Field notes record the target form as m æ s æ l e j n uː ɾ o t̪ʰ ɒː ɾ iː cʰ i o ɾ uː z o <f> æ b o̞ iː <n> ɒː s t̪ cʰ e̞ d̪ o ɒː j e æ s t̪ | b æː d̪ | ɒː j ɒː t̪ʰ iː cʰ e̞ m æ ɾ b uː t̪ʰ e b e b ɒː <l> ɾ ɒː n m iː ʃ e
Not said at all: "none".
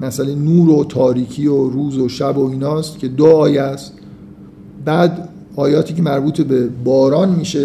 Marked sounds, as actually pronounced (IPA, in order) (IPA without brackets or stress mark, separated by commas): ʃ, n, none